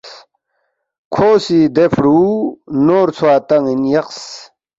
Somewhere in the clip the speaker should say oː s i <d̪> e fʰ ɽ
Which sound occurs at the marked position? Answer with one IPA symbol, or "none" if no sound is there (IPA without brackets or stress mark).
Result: d̪